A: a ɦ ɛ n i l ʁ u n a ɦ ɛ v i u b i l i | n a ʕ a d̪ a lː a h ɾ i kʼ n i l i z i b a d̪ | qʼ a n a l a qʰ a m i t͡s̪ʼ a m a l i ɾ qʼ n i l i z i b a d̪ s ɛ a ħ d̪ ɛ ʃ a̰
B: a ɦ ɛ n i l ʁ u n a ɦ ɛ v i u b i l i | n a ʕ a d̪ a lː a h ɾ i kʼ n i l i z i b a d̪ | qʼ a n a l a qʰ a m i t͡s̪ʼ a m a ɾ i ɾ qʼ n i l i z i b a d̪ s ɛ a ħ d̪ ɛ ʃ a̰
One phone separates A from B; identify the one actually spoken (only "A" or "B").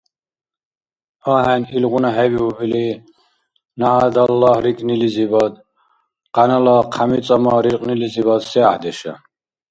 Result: B